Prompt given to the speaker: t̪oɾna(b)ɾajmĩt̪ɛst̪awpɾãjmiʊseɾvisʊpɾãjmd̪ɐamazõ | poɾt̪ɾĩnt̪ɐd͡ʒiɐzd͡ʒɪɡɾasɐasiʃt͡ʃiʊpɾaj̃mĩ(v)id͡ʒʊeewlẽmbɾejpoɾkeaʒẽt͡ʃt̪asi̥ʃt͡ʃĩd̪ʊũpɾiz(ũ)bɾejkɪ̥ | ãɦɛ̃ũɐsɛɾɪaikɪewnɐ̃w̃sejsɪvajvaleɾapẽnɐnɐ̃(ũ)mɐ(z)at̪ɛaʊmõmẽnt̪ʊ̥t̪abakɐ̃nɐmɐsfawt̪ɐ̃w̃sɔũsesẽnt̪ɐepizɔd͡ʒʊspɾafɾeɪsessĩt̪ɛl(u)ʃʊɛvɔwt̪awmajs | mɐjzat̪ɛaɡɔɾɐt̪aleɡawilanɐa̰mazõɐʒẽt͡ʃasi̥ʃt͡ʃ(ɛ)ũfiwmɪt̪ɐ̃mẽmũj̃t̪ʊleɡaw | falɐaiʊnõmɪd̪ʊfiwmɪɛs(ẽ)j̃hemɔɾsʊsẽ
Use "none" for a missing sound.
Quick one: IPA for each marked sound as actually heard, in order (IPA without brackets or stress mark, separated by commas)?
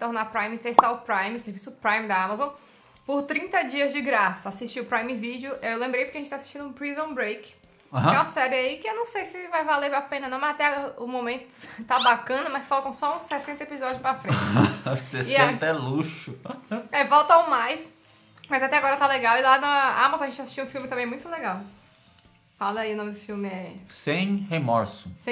p, v, õ, w̃, z, u, i, ẽ